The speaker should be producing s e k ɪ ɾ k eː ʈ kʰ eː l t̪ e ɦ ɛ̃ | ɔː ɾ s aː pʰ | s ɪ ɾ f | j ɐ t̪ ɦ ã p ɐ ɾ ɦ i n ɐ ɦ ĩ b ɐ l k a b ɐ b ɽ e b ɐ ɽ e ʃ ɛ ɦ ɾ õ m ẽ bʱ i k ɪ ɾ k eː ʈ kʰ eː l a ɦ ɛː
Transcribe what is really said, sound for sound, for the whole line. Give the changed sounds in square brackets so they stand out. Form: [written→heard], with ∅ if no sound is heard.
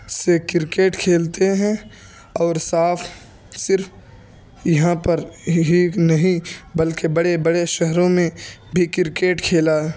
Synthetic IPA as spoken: s e k ɪ ɾ k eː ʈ kʰ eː l t̪ e ɦ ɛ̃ | ɔː ɾ s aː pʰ | s ɪ ɾ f | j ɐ [t̪→∅] ɦ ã p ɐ ɾ ɦ i n ɐ ɦ ĩ b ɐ l k [a→e] b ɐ [b→∅] ɽ e b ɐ ɽ e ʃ ɛ ɦ ɾ õ m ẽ bʱ i k ɪ ɾ k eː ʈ kʰ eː l a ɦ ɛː